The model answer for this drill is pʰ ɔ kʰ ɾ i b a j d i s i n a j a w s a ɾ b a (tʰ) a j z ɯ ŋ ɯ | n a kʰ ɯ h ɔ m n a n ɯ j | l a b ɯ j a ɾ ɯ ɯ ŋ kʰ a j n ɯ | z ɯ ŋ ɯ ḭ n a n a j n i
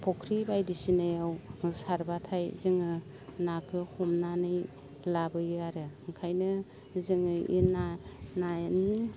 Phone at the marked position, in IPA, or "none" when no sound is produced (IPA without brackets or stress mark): tʰ